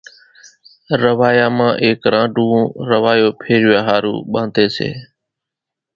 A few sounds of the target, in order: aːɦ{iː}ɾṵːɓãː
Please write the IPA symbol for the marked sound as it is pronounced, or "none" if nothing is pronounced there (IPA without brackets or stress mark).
aː